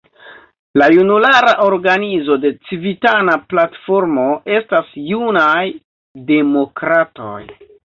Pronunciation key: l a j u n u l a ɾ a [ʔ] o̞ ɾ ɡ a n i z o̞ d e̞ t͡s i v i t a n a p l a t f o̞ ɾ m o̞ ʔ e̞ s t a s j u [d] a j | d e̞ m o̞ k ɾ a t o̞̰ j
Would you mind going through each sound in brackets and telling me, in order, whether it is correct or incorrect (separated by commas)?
correct, incorrect